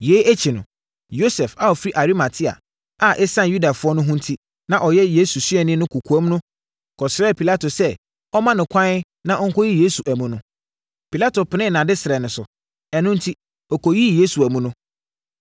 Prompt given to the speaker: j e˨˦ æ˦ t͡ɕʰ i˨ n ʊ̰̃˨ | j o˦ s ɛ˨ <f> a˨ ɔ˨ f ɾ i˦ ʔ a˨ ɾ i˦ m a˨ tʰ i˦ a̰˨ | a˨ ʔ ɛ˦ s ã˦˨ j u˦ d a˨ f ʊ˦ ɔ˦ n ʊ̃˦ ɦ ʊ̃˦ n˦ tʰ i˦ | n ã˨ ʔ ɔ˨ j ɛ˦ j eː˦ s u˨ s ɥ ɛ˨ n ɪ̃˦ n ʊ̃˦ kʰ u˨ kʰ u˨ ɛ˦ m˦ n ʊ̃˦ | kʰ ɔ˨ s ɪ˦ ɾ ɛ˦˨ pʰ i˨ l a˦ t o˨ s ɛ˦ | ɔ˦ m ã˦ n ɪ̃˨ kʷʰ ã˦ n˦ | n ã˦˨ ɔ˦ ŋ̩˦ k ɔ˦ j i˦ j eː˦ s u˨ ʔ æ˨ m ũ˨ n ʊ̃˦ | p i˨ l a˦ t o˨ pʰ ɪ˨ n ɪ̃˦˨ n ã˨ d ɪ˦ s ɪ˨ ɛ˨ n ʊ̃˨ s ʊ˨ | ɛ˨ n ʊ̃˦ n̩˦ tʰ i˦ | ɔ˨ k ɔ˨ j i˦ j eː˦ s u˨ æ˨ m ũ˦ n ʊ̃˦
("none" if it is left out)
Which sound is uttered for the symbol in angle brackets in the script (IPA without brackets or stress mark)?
f